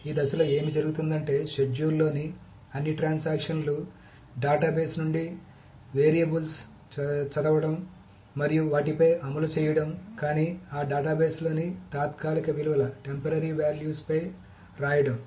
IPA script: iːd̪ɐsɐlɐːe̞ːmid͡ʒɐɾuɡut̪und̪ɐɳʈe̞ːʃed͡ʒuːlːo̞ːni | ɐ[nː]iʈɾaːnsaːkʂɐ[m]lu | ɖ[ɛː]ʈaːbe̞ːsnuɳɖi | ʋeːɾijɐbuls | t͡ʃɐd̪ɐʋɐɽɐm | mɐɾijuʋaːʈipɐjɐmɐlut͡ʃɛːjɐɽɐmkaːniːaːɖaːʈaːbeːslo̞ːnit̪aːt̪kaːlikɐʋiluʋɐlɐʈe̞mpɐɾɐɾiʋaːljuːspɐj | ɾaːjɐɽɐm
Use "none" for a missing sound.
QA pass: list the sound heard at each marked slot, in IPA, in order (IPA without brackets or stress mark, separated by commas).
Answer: nː, n, aː